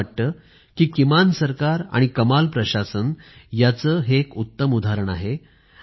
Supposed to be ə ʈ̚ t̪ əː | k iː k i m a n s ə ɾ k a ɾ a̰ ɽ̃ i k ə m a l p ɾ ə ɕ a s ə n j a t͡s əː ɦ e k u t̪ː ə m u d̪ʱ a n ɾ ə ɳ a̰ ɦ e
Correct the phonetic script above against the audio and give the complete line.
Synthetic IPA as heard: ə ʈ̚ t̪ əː | k iː k i m a n s ə ɾ k a ɾ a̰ ɽ̃ i k ə m a l p ɾ ə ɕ a s ə n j a t͡s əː ɦ e k u t̪ː ə m u d̪ʱ a ɾ ə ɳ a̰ ɦ e